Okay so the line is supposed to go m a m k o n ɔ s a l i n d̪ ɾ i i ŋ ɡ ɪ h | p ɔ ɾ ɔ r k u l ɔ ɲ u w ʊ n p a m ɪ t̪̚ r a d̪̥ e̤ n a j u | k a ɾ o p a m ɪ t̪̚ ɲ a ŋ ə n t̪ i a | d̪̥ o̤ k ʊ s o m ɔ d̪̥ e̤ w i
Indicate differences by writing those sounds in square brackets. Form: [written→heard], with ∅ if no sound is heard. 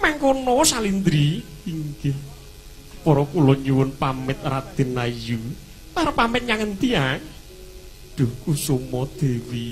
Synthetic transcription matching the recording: m a [m→ŋ] k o n ɔ s a l i n d̪ ɾ i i ŋ ɡ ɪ h | p ɔ ɾ ɔ [r→∅] k u l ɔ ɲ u w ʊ n p a m ɪ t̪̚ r a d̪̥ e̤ n a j u | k a ɾ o p a m ɪ t̪̚ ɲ a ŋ ə n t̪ i a | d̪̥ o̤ k [ʊ→u] s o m ɔ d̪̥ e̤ w i